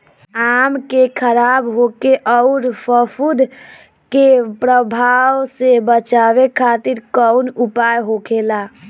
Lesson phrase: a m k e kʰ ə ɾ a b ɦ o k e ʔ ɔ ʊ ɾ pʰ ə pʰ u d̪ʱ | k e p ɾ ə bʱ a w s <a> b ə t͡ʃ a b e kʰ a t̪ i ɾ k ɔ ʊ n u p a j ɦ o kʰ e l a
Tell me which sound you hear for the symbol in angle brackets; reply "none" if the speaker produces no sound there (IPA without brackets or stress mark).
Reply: e